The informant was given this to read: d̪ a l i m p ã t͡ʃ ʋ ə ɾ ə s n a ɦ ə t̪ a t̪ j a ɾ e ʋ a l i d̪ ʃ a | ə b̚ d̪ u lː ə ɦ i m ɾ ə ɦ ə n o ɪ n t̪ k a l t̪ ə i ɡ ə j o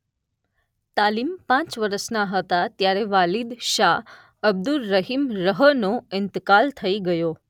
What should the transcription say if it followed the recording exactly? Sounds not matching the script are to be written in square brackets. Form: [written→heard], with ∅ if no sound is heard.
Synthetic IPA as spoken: [d̪→t̪] a l i m p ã t͡ʃ ʋ ə ɾ ə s n a ɦ ə t̪ a t̪ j a ɾ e ʋ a l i d̪ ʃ a | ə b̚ d̪ u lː ə ɦ i m ɾ ə ɦ ə n o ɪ n t̪ k a l [t̪→t̪ʰ] ə i ɡ ə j o